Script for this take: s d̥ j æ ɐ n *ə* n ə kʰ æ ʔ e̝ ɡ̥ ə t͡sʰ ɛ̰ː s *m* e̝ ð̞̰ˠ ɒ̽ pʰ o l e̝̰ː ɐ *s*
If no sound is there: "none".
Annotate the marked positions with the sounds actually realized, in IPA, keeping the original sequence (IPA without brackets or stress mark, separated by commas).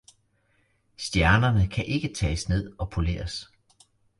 ɐ, n, s